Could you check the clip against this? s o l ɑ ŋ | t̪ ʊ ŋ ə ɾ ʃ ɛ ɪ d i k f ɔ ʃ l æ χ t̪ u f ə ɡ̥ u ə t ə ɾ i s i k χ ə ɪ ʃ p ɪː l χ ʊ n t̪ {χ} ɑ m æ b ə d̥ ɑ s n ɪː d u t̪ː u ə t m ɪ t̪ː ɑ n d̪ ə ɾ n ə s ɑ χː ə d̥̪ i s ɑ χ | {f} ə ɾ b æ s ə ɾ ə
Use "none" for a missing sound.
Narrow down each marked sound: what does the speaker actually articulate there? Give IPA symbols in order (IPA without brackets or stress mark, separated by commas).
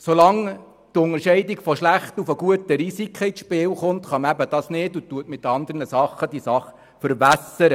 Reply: χ, f